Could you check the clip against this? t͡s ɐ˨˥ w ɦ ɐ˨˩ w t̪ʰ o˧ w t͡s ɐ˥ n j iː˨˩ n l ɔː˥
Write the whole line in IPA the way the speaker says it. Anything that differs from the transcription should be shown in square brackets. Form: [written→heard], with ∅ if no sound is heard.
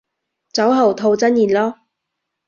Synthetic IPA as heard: t͡s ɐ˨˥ w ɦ ɐ˨˩ w t̪ʰ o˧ w t͡s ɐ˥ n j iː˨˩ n l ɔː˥